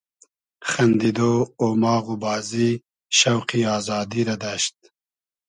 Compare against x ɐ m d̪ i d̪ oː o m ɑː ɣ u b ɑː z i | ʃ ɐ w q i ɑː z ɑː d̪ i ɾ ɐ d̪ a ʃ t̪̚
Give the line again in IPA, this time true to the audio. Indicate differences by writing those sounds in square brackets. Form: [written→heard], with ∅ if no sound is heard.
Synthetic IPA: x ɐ [m→n] d̪ i d̪ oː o m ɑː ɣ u b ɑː z i | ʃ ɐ w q i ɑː z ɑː d̪ i ɾ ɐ d̪ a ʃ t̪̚